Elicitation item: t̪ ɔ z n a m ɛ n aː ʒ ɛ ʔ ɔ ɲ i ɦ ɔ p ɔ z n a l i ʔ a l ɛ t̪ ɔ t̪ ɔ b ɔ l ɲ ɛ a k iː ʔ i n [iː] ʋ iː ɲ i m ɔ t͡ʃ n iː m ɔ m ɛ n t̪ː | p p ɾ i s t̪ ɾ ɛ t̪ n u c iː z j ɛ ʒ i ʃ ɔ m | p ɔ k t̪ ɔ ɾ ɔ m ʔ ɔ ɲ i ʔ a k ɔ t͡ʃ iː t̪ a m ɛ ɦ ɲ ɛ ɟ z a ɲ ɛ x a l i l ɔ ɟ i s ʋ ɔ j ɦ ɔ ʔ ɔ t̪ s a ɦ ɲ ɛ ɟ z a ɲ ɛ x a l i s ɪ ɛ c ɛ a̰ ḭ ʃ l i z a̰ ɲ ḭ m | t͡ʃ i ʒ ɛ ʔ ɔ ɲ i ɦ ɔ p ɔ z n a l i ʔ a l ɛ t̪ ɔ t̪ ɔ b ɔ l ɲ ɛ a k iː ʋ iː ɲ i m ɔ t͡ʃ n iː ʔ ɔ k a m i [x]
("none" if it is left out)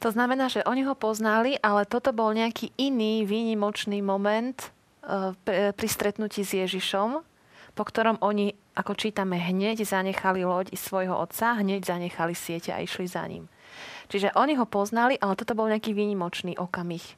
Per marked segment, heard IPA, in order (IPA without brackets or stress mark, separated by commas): iː, x